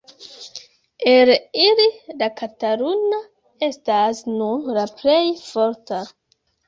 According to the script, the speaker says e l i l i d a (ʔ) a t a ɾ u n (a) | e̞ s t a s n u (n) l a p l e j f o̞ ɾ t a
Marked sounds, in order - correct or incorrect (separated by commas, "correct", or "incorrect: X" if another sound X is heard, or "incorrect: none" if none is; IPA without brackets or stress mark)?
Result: incorrect: k, correct, correct